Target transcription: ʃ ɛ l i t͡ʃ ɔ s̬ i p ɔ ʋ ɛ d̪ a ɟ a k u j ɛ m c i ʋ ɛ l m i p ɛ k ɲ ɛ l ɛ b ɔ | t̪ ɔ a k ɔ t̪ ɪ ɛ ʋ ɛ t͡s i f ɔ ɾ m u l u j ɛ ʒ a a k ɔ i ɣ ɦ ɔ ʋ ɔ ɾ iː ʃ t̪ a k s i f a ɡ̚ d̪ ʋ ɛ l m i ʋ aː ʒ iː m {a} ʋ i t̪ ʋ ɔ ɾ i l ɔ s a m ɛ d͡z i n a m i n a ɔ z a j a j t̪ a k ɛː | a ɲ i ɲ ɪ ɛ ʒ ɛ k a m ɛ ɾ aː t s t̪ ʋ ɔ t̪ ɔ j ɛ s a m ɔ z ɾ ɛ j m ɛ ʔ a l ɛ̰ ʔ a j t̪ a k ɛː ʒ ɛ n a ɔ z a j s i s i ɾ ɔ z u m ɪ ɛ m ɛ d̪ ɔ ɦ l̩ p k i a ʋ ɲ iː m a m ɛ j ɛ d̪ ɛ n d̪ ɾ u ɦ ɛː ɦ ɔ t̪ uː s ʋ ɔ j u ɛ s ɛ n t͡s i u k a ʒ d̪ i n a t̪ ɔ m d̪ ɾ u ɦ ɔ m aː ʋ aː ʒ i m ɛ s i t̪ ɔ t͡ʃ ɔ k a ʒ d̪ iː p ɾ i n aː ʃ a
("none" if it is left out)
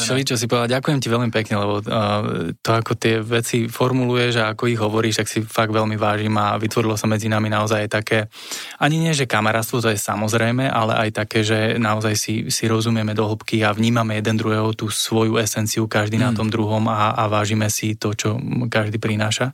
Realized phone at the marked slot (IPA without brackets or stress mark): a